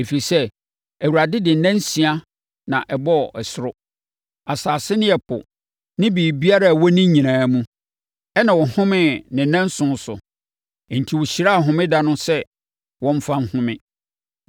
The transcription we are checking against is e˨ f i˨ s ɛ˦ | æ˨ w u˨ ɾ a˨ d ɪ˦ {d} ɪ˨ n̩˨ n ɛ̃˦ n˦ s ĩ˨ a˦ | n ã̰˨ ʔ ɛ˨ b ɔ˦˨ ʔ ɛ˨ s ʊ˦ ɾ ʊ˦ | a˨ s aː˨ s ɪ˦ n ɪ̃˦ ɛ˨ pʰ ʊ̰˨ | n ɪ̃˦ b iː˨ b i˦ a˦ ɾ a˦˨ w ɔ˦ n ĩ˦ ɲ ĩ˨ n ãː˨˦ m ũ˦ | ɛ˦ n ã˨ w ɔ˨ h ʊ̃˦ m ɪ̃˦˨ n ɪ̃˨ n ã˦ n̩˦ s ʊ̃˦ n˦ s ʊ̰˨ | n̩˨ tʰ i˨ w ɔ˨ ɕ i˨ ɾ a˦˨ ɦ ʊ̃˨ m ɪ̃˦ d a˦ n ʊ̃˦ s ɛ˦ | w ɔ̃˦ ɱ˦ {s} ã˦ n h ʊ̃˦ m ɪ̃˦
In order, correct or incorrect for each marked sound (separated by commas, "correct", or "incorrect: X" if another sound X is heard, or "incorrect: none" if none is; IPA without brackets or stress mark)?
correct, incorrect: f